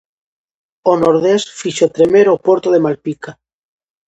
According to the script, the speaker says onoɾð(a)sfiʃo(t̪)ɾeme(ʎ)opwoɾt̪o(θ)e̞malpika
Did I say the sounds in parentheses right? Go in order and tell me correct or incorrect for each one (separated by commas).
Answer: incorrect, correct, incorrect, incorrect